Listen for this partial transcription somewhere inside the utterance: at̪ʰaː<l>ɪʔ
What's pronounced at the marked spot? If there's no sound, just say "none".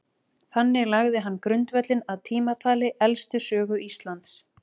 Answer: l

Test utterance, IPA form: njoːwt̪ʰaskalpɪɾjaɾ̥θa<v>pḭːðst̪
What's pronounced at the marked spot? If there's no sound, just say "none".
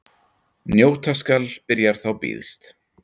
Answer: w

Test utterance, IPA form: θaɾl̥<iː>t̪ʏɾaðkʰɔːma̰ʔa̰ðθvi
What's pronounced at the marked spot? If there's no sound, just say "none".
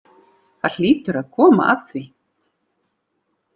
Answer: iː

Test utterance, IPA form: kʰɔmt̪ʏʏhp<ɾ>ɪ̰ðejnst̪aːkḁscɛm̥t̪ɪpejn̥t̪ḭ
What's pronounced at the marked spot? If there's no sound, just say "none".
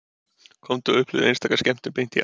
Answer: l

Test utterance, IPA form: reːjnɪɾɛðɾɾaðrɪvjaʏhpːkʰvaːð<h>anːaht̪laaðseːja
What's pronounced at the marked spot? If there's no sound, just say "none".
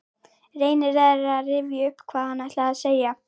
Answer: h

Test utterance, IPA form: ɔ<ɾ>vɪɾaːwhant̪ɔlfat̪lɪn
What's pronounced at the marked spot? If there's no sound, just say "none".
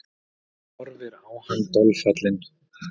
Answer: ɾ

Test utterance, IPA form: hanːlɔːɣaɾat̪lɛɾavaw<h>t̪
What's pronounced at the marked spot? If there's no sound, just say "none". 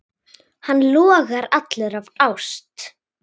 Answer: s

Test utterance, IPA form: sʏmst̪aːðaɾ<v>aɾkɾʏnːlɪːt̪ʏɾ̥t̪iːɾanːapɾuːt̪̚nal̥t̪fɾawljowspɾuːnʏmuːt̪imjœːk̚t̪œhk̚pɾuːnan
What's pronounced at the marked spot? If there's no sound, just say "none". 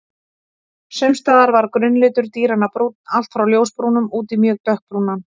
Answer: v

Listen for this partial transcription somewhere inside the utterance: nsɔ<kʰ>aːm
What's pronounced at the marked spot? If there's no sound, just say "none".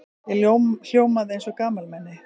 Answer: k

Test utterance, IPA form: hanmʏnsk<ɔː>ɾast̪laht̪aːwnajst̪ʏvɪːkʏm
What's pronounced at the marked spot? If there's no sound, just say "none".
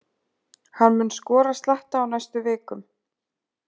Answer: ɔː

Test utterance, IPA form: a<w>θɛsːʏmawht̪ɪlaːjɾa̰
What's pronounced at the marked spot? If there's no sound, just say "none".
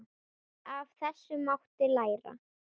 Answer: v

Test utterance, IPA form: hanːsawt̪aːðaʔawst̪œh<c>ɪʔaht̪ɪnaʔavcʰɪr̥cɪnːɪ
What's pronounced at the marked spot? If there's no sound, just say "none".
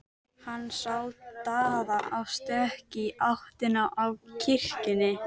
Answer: c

